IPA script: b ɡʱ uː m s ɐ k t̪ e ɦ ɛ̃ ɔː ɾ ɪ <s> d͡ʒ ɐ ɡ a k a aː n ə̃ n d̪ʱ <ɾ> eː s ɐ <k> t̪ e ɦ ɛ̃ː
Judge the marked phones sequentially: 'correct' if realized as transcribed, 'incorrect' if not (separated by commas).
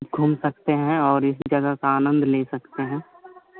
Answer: correct, incorrect, correct